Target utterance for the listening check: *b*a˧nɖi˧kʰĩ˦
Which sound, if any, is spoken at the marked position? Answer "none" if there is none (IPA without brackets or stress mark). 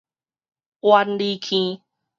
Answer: w